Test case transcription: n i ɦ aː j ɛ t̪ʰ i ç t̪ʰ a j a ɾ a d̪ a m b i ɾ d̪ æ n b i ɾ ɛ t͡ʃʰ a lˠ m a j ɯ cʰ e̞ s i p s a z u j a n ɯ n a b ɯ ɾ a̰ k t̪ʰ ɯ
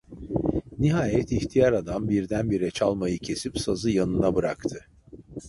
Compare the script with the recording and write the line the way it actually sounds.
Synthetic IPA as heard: n i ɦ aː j ɛ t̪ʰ i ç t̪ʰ i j a ɾ a d̪ a m b i ɾ d̪ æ n b i ɾ ɛ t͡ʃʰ a lˠ m a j ɯ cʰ e̞ s i p s a z ɯ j a n ɯ n a b ɯ ɾ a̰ k t̪ʰ ɯ